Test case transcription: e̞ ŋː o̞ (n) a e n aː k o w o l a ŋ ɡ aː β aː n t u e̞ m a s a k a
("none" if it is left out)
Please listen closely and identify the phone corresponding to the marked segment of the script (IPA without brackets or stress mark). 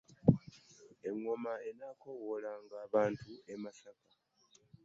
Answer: m